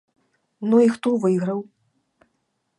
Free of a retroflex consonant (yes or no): yes